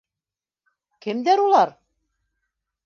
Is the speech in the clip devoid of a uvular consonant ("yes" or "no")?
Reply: yes